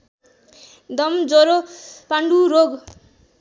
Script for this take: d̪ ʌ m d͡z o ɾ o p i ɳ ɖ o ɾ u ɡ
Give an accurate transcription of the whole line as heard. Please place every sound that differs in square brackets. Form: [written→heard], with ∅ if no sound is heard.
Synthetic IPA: d̪ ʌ m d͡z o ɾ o p [i→a] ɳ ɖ [o→u] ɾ [u→o] ɡ